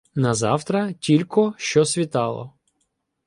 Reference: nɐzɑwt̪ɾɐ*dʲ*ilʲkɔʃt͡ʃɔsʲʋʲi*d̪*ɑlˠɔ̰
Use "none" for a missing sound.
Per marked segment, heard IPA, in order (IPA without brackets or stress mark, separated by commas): tʲ, t̪